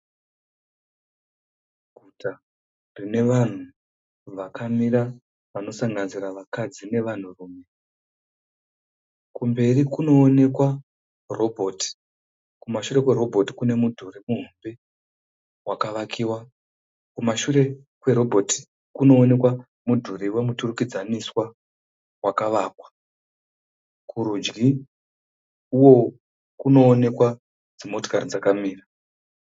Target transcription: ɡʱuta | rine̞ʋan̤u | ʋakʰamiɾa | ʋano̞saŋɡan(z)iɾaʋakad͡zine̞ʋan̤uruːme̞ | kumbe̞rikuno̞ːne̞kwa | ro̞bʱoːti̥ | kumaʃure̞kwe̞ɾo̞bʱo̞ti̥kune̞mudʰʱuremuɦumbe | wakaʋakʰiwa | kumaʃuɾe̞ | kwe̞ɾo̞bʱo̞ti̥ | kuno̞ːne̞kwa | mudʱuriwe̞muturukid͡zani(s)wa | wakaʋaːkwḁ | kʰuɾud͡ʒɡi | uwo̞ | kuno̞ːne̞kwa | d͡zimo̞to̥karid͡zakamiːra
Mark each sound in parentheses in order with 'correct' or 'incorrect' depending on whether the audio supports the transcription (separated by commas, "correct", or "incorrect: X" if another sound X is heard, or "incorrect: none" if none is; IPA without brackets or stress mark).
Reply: correct, correct